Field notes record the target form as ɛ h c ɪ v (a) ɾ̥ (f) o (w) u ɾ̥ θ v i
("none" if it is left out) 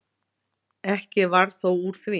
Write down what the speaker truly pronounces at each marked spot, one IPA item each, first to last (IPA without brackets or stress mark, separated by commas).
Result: a, θ, w